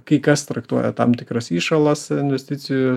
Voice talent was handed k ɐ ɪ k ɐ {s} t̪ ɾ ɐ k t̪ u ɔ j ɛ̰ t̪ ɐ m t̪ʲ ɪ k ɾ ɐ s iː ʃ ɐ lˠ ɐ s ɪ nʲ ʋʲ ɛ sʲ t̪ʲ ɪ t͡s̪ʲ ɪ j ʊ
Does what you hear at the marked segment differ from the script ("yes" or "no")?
no